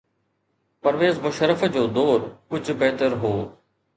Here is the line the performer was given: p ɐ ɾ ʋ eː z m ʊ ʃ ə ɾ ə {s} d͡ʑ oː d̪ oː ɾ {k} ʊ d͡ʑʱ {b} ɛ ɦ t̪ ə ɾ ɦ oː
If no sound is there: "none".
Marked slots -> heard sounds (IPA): f, k, b

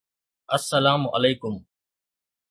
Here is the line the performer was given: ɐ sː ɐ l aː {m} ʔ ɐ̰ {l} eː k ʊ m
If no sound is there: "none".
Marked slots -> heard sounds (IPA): m, l

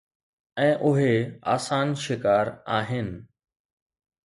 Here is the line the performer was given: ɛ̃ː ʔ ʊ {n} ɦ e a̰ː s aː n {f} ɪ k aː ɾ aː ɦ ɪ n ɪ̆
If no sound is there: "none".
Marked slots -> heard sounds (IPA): none, ʃ

